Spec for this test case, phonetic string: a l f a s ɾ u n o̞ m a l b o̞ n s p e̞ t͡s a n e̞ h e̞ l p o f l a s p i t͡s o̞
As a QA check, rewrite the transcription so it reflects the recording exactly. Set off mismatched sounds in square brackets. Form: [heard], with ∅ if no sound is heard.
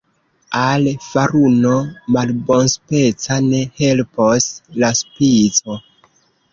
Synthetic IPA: a l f a [∅] ɾ u n o̞ m a l b o̞ n s p e̞ t͡s a n e̞ h e̞ l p o [s] l a s p i t͡s o̞

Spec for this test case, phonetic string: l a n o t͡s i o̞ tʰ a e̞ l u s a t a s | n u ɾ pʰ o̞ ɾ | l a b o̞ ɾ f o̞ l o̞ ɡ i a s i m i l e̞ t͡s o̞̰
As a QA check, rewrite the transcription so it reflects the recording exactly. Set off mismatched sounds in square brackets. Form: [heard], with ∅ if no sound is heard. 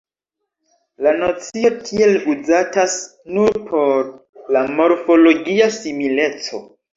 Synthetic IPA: l a n o t͡s i o̞ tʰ [i] e̞ l u [z] a t a s | n u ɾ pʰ o̞ ɾ | l a [m] o̞ ɾ f o̞ l o̞ ɡ i a s i m i l e̞ t͡s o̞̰

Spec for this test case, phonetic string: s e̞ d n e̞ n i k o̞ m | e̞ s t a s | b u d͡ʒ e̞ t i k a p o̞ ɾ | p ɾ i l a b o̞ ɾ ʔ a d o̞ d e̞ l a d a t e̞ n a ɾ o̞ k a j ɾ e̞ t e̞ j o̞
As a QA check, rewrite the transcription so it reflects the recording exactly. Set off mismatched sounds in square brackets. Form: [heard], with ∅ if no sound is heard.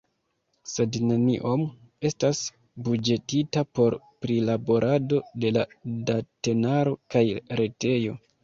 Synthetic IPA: s e̞ d n e̞ n i [ʔ] o̞ m | e̞ s t a s | b u d͡ʒ e̞ t i [t] a p o̞ ɾ | p ɾ i l a b o̞ ɾ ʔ a d o̞ d e̞ l a d a t e̞ n a ɾ o̞ k a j ɾ e̞ t e̞ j o̞

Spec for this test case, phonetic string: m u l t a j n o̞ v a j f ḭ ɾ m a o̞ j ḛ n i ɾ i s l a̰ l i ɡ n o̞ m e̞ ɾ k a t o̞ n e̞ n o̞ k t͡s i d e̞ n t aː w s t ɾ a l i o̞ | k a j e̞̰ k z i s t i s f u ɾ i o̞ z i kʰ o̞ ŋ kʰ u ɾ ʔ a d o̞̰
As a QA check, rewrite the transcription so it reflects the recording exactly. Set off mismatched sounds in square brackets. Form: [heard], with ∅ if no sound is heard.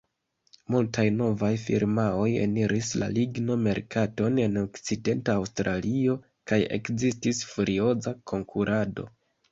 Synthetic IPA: m u l t a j n o̞ v a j f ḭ ɾ m a o̞ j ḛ n i ɾ i s l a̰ l i ɡ n o̞ m e̞ ɾ k a t o̞ n e̞ n o̞ k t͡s i d e̞ n t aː w s t ɾ a l i o̞ | k a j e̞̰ k z i s t i s f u ɾ i o̞ z [a] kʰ o̞ ŋ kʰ u ɾ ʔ a d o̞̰

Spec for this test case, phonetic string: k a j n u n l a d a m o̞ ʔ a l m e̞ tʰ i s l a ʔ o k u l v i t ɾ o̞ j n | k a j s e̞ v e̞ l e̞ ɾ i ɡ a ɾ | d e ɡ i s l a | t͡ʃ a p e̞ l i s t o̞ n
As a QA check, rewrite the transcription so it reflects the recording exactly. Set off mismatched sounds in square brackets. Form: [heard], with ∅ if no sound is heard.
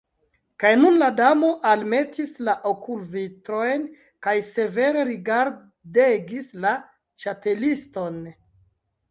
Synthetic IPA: k a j n u n l a d a m o̞ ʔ a l m e̞ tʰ i s l a ʔ o k u l v i t ɾ o̞ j n | k a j s e̞ v e̞ [ɾ] e̞ ɾ i ɡ a ɾ | d e ɡ i s l a | t͡ʃ a p e̞ l i s t o̞ n

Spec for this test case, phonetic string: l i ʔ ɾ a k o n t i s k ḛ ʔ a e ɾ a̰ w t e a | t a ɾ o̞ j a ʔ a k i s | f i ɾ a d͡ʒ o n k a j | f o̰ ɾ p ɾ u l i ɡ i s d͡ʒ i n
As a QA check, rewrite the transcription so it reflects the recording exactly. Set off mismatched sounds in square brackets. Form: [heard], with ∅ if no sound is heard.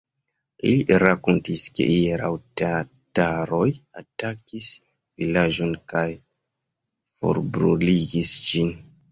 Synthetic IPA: l i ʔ ɾ a k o n t i s k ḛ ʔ [i] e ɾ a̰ w t e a | t a ɾ o̞ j a [t] a k i s | [v] i [l] a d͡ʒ o n k a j | f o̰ ɾ [b] ɾ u l i ɡ i s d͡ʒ i n

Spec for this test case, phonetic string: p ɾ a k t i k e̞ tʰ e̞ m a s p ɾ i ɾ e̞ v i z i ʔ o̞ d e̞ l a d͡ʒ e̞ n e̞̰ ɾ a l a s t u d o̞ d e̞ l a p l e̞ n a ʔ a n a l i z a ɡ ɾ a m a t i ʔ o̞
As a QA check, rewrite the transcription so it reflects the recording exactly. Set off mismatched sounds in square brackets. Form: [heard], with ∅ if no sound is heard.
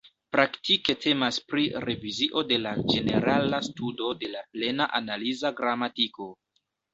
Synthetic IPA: p ɾ a k t i k e̞ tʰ e̞ m a s p ɾ i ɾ e̞ v i z i ʔ o̞ d e̞ l a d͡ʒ e̞ n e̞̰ ɾ a l a s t u d o̞ d e̞ l a p l e̞ n a ʔ a n a l i z a ɡ ɾ a m a t i [k] o̞

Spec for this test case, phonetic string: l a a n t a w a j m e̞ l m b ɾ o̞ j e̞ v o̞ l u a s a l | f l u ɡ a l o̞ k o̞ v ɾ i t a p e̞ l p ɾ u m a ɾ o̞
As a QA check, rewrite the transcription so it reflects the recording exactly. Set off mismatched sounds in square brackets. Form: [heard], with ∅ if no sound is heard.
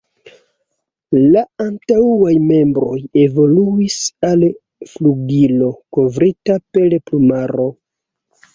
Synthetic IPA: l a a n t a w a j m e̞ [∅] m b ɾ o̞ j e̞ v o̞ l u [i] s a l | f l u ɡ [i] l o̞ k o̞ v ɾ i t a p e̞ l p [l] u m a ɾ o̞

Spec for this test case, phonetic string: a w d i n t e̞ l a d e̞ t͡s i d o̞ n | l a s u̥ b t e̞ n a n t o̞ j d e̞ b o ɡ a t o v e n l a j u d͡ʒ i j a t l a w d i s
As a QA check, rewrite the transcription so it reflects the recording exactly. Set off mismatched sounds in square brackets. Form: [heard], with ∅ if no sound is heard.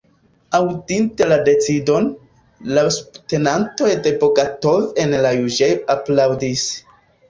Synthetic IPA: a w d i n t e̞ l a d e̞ t͡s i d o̞ n | l a s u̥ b t e̞ n a n t o̞ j d e̞ b o ɡ a t o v e n l a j u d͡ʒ [e] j a [p] l a w d i s

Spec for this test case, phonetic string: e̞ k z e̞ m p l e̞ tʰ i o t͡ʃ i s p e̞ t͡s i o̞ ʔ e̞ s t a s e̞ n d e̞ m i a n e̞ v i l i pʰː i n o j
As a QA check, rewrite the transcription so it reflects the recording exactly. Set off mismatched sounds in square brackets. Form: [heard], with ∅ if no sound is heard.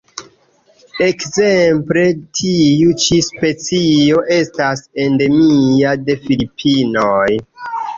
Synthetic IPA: e̞ k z e̞ m p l e̞ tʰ i [u] t͡ʃ i s p e̞ t͡s i o̞ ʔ e̞ s t a s e̞ n d e̞ m i a [d] e̞ [f] i l i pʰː i n o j

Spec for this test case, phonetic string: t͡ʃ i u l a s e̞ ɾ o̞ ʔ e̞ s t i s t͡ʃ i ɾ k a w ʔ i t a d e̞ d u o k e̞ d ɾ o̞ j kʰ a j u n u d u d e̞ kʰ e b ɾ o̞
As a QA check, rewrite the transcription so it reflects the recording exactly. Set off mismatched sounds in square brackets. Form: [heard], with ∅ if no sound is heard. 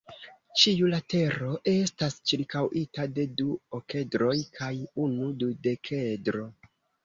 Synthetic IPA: t͡ʃ i u l a [t] e̞ ɾ o̞ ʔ e̞ s t [a] s t͡ʃ i ɾ k a w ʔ i t a d e̞ d u o k e̞ d ɾ o̞ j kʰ a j u n u d u d e̞ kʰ e [d] ɾ o̞

